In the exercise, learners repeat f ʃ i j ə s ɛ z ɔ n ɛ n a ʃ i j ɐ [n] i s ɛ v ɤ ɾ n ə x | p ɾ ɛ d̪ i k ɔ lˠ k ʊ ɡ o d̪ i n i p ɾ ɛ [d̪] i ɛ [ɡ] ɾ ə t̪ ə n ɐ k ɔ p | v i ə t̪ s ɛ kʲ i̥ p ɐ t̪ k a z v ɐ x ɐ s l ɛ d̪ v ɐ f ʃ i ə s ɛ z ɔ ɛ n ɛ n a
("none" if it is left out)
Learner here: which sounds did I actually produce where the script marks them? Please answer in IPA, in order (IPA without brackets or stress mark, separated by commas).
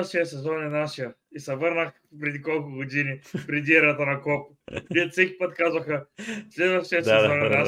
none, d̪, none